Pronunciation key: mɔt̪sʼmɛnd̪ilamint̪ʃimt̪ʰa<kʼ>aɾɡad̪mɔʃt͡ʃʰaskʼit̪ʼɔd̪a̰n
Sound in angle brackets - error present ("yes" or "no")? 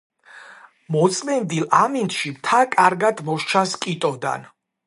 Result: no